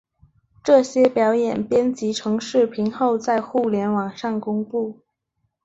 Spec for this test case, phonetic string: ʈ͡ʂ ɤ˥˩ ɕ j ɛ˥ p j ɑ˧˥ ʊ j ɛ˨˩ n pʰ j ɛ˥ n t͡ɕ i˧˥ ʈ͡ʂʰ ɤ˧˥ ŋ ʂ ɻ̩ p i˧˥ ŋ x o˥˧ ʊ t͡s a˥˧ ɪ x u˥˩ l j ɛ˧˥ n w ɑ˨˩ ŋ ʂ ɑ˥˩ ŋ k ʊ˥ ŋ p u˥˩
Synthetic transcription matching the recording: ʈ͡ʂ ɤ˥˩ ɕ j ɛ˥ p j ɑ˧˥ ʊ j ɛ˨˩ n p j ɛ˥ n t͡ɕ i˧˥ ʈ͡ʂʰ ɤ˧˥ ŋ ʂ ɻ̩ pʰ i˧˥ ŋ x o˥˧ ʊ t͡s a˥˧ ɪ x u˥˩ l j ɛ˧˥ n w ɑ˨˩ ŋ ʂ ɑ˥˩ ŋ k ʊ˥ ŋ p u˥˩